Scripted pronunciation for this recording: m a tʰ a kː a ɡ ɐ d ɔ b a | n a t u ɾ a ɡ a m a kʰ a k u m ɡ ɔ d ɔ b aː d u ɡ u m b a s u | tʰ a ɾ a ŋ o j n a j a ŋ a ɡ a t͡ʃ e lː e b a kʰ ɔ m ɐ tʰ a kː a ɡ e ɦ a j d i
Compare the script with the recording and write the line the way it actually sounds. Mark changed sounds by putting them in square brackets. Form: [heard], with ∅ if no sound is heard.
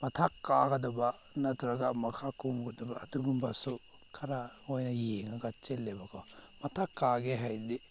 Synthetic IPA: m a tʰ a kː a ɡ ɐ d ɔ b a | n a t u ɾ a ɡ a m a kʰ a k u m ɡ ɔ d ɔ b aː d u ɡ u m b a s u | [kʰ] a ɾ a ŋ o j n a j [e] ŋ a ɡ a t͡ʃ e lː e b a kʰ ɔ m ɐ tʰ a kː a ɡ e ɦ a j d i

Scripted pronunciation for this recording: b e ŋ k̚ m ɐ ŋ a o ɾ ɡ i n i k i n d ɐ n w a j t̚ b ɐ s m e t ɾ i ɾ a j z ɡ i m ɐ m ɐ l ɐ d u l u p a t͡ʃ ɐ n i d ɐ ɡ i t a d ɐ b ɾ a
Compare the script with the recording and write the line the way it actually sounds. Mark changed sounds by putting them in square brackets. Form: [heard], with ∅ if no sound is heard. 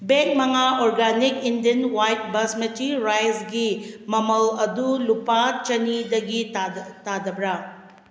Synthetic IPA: b e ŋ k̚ m ɐ ŋ a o ɾ ɡ [a] n i k i n d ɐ n w a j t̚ b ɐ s m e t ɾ i ɾ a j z ɡ i m ɐ m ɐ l ɐ d u l u p a t͡ʃ ɐ n i d ɐ ɡ i t a d ɐ b ɾ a

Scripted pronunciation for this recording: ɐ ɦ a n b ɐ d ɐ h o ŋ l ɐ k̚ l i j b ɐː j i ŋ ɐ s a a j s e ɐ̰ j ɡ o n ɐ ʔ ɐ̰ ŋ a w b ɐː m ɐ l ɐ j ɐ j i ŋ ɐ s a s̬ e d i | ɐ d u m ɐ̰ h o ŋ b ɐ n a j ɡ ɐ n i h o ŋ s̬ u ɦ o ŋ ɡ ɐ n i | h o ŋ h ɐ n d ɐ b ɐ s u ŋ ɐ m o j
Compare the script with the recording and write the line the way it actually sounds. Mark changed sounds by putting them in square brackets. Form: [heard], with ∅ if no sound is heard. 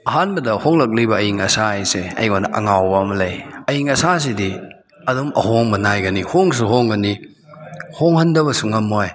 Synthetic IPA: ɐ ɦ a n b ɐ d ɐ h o ŋ l ɐ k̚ l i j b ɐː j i ŋ ɐ s a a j s e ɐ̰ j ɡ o n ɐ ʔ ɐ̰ ŋ a w b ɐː m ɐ l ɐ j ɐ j i ŋ ɐ s a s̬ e d i | ɐ d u m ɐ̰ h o ŋ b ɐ n a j ɡ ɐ n i h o ŋ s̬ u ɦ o ŋ ɡ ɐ n i | h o ŋ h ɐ n d ɐ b ɐ s u ŋ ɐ m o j

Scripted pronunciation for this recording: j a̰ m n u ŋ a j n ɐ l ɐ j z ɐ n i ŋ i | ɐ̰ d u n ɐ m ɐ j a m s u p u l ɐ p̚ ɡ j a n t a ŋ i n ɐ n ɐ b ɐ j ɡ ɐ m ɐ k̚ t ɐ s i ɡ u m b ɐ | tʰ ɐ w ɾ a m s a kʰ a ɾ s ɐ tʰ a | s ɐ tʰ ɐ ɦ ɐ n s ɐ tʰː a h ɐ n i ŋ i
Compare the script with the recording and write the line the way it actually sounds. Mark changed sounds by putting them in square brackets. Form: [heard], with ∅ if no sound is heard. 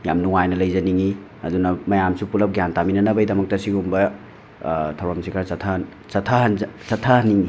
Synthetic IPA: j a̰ m n u ŋ a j n ɐ l ɐ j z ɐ n i ŋ i | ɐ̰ d u n ɐ m ɐ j a m s u p u l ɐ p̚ ɡ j a n t a [m] i n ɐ n ɐ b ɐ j [d] ɐ m ɐ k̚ t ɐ s i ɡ u m b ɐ | tʰ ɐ w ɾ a m s [i] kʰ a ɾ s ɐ tʰ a | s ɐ tʰ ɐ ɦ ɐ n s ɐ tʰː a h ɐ n i ŋ i

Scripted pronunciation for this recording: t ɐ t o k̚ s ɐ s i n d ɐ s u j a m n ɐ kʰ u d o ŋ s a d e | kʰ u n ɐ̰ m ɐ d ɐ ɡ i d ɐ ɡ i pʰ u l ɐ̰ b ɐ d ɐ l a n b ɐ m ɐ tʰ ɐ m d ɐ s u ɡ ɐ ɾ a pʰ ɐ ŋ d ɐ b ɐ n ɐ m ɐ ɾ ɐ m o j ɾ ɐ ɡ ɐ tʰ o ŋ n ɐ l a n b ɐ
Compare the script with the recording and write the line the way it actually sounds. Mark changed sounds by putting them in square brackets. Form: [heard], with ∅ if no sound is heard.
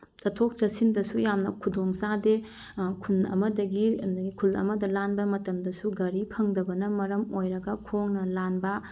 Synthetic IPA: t ɐ [tʰ] o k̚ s ɐ s i n d ɐ s u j a m n ɐ kʰ u d o ŋ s a d e | kʰ u n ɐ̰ m ɐ d ɐ ɡ i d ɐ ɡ i [kʰ] u l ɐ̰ [m] ɐ d ɐ l a n b ɐ m ɐ [t] ɐ m d ɐ s u ɡ ɐ ɾ [i] pʰ ɐ ŋ d ɐ b ɐ n ɐ m ɐ ɾ ɐ m o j ɾ ɐ ɡ ɐ [kʰ] o ŋ n ɐ l a n b ɐ

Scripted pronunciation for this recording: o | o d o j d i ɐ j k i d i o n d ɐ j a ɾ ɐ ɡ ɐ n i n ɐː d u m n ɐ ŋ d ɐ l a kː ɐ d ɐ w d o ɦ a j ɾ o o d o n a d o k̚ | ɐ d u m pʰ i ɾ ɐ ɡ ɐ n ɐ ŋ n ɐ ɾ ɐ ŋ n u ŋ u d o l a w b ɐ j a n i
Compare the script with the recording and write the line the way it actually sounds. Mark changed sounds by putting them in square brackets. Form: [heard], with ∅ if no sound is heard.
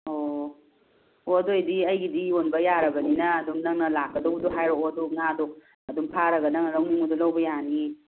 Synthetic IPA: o | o d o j d i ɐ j [ɡ] i d i o n [b] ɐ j a ɾ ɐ ɡ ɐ n i n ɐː d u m n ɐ ŋ [n] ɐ l a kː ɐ d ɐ w d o ɦ a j ɾ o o d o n a d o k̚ | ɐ d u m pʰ [a] ɾ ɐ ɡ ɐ n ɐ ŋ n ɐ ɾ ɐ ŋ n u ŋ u d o l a w b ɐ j a n i

